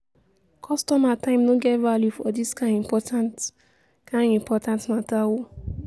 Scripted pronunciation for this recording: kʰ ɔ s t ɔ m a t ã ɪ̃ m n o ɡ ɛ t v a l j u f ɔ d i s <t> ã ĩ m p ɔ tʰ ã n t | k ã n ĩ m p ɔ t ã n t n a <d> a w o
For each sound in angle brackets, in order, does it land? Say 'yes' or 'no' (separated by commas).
no, no